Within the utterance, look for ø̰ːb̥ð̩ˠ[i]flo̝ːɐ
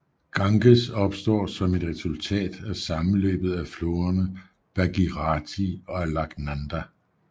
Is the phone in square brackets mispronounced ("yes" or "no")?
yes